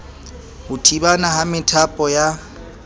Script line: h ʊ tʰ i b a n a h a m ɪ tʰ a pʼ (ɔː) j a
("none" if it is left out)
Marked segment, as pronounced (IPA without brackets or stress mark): ɔ